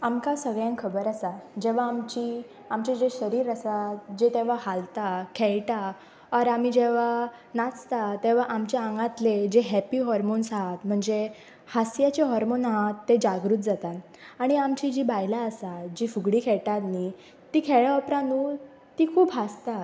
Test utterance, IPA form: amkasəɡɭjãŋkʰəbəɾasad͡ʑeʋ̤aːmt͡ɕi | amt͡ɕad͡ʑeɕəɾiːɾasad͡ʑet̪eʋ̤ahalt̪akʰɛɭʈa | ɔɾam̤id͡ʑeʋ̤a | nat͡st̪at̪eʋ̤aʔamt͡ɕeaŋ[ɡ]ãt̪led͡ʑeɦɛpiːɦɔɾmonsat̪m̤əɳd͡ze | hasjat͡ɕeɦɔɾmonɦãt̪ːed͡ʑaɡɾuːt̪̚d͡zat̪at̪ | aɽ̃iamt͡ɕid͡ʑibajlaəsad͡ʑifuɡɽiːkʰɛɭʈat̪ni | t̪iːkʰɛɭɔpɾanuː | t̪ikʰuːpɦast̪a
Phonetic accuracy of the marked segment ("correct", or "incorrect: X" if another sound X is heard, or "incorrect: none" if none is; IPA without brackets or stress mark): correct